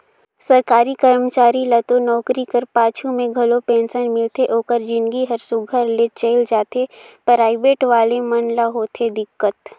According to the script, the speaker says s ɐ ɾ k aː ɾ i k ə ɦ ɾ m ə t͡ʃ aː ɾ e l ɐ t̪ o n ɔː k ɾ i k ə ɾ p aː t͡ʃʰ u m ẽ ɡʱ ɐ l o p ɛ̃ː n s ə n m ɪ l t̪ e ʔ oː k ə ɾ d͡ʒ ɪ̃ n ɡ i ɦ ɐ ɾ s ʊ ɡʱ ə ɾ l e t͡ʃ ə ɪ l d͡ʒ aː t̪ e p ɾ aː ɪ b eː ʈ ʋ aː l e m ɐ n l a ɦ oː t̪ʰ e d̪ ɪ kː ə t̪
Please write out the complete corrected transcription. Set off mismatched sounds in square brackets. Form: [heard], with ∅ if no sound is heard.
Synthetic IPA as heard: s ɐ ɾ k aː ɾ i k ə [∅] ɾ m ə t͡ʃ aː ɾ [i] l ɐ t̪ o n ɔː k ɾ i k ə ɾ p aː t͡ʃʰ u m ẽ ɡʱ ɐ l o p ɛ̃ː n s ə n m ɪ l t̪ e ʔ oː k ə ɾ d͡ʒ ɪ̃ n ɡ i ɦ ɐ ɾ s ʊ ɡʱ ə ɾ l e t͡ʃ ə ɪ l d͡ʒ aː t̪ e p ɾ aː ɪ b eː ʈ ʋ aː l e m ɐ n l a ɦ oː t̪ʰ e d̪ ɪ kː ə t̪

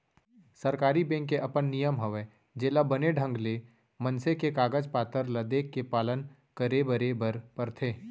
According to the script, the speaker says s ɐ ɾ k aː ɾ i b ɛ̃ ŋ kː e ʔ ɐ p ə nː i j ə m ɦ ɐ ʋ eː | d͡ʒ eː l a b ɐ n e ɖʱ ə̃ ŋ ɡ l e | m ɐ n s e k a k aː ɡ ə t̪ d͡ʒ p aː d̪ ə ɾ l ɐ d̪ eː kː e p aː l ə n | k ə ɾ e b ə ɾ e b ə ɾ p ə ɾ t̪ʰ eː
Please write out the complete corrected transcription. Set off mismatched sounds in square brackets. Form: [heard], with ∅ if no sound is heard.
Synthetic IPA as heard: s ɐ ɾ k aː ɾ i b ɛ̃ ŋ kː e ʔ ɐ p ə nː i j ə m ɦ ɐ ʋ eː | d͡ʒ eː l a b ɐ n e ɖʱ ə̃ ŋ ɡ l e | m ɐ n s e k [e] k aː ɡ ə [∅] d͡ʒ p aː [t̪] ə ɾ l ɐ d̪ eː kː e p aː l ə n | k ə ɾ e b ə ɾ e b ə ɾ p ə ɾ t̪ʰ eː

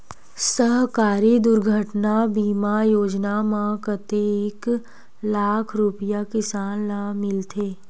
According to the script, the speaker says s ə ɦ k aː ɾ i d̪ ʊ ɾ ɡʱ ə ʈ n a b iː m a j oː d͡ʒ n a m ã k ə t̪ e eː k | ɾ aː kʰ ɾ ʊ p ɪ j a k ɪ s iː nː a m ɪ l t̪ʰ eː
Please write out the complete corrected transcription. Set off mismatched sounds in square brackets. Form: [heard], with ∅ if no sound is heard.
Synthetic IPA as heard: s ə ɦ k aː ɾ i d̪ ʊ ɾ ɡʱ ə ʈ n a b iː m a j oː d͡ʒ n a m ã k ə t̪ e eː k | [l] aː kʰ ɾ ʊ p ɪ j a k ɪ s [aː] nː a m ɪ l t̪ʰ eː

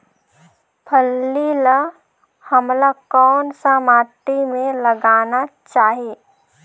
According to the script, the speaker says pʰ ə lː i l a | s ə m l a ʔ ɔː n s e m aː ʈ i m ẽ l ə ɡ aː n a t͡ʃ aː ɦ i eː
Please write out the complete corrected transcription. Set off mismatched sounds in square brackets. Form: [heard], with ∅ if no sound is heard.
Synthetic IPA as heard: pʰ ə lː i l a | [h] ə m l a [k] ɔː n s [a] m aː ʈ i m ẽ l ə ɡ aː n a t͡ʃ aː ɦ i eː

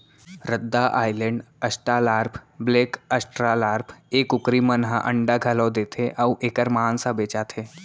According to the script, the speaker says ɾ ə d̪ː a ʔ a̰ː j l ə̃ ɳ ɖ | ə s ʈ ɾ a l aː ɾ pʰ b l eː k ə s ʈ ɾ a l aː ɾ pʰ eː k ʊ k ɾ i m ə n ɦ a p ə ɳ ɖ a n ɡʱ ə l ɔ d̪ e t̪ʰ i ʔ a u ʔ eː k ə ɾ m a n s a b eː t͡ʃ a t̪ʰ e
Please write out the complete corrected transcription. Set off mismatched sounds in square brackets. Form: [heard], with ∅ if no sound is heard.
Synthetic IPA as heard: ɾ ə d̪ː a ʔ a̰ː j l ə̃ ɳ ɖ | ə s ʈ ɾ a l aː ɾ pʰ b l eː k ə s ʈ ɾ a l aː ɾ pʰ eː k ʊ k ɾ i m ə n ɦ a [ʔ] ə ɳ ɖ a [∅] ɡʱ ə l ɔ d̪ e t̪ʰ [e] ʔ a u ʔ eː k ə ɾ m a n s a b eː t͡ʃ a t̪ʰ e

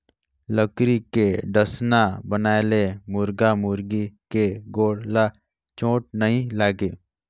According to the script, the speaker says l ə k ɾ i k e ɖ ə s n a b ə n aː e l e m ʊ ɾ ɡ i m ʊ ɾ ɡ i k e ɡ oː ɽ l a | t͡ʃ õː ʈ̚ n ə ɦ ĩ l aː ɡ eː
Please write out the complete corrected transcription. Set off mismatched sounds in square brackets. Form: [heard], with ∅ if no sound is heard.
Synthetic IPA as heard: l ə k ɾ i k e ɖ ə s n a b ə n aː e l e m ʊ ɾ ɡ [a] m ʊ ɾ ɡ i k e ɡ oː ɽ l a | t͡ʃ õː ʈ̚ n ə ɦ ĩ l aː ɡ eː

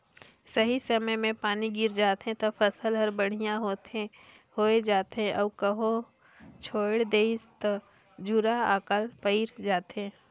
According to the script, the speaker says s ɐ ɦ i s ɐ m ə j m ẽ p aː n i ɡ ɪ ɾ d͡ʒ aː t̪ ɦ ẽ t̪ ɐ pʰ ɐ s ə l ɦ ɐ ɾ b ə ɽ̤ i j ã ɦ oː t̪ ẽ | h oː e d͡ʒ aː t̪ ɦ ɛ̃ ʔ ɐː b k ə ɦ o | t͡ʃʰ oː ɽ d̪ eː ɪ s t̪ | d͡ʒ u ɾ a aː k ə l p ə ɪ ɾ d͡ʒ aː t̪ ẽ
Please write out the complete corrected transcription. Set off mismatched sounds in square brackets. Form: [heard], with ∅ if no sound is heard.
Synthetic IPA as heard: s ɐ ɦ i s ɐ m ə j m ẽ p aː n i ɡ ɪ ɾ d͡ʒ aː t̪ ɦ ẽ t̪ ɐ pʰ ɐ s ə l ɦ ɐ ɾ b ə ɽ̤ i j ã ɦ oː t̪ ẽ | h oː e d͡ʒ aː t̪ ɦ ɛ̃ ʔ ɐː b k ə ɦ o | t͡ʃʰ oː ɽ d̪ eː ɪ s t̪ | d͡ʒ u ɾ a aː k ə l p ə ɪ ɾ d͡ʒ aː t̪ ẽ

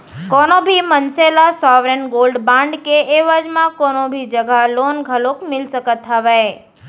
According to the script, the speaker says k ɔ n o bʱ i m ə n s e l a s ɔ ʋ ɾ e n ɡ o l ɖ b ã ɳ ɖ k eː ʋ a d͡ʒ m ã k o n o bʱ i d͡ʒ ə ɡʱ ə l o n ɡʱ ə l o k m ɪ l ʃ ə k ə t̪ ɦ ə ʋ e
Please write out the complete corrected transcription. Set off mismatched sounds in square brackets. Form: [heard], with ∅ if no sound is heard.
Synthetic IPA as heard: k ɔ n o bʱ i m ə n s e l a s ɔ ʋ ɾ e n ɡ o l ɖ b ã ɳ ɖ k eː ʋ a d͡ʒ m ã k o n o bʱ i d͡ʒ ə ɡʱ [a] l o n ɡʱ ə l o k m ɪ l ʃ ə k ə t̪ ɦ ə ʋ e

